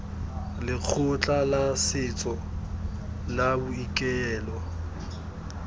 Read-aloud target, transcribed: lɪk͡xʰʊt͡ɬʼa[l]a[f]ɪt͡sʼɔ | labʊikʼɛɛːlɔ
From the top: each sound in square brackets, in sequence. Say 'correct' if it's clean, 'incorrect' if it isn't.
correct, incorrect: s

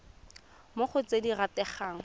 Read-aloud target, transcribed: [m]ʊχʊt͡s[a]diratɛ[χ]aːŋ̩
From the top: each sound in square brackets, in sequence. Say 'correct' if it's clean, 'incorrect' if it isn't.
correct, incorrect: e, correct

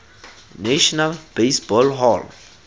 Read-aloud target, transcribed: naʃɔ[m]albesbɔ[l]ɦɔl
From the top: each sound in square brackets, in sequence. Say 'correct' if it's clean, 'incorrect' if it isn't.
incorrect: n, correct

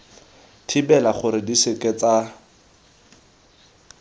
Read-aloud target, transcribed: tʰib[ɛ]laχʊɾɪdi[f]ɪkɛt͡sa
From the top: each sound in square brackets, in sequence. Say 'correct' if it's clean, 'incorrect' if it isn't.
correct, incorrect: s

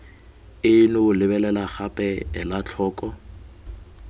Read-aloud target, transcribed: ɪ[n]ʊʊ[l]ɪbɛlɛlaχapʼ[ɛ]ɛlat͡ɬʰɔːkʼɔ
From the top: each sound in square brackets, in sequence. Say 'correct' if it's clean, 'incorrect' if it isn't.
correct, correct, correct

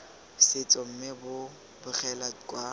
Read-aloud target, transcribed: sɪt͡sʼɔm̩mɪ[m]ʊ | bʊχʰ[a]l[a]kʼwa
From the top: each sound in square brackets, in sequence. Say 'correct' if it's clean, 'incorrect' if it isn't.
incorrect: b, incorrect: ɛ, correct

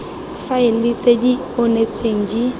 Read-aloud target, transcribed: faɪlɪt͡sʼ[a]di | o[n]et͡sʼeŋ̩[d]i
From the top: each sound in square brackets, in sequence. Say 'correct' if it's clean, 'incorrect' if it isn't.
incorrect: e, correct, incorrect: d͡ʒ

